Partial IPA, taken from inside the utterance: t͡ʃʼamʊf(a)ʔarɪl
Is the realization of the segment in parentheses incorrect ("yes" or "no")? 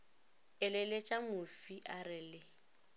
yes